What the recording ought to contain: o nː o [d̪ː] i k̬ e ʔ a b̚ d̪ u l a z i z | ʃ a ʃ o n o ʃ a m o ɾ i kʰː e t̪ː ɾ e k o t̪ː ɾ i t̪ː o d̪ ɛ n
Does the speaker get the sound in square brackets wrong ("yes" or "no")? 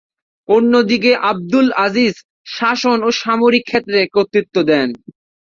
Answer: yes